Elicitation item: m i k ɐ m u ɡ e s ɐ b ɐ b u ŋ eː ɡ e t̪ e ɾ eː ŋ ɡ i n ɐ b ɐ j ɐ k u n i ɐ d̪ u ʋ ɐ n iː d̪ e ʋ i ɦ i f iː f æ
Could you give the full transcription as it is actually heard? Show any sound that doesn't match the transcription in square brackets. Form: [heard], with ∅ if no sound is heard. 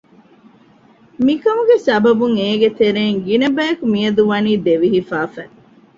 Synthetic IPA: m i k ɐ m u ɡ e s ɐ b ɐ b u ŋ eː ɡ e t̪ e ɾ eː ŋ ɡ i n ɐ b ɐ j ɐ k u [m] i ɐ d̪ u ʋ ɐ n iː d̪ e ʋ i ɦ i f [aː] f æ